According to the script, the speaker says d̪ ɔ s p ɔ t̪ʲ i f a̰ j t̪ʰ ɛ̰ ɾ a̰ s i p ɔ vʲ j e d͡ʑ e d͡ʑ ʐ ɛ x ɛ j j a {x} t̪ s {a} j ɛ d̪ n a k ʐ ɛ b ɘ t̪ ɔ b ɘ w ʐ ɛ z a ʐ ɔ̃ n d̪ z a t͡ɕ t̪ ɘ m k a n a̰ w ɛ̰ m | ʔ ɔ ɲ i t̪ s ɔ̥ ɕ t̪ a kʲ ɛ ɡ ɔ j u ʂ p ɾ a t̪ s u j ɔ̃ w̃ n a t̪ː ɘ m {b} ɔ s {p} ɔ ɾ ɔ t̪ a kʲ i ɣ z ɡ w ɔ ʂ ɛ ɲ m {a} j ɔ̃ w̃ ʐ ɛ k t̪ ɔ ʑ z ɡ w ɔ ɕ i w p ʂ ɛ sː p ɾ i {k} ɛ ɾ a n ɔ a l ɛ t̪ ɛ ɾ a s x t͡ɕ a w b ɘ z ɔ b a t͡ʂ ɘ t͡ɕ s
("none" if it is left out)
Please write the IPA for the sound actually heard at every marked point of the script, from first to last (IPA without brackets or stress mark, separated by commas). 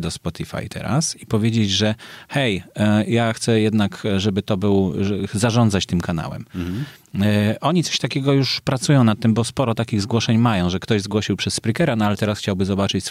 x, ɛ, b, p, a, k